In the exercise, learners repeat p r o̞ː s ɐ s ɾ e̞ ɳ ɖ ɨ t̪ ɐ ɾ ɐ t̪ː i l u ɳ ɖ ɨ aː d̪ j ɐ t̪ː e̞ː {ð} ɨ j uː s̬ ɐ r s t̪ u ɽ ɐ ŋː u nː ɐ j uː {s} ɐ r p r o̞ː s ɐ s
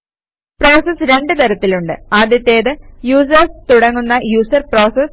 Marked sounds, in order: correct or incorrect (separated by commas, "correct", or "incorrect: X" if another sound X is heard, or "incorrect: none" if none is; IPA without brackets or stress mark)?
correct, correct